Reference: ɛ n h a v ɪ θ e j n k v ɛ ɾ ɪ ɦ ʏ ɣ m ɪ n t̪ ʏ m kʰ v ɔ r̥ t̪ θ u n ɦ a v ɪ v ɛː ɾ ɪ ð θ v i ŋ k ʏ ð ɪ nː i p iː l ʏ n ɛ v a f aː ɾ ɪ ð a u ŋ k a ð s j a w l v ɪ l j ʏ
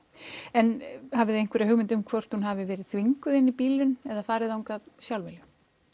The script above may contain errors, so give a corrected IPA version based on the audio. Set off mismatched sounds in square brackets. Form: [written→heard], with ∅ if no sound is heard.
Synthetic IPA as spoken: ɛ n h a v ɪ [θ→ð] e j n k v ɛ ɾ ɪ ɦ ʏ ɣ m ɪ n t̪ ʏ m kʰ v ɔ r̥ t̪ [θ→h] u n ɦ a v ɪ v ɛː ɾ ɪ ð θ v i ŋ k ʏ ð ɪ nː i p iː l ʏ n ɛ [v→ð] a f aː ɾ ɪ ð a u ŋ k a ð s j a w l v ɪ l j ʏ